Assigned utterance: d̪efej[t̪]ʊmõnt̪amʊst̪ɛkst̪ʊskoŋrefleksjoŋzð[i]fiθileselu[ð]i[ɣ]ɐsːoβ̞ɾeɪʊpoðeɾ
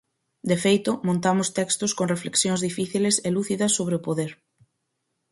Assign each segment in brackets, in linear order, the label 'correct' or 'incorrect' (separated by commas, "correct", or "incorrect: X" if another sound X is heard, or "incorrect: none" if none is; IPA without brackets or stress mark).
correct, correct, incorrect: θ, incorrect: ð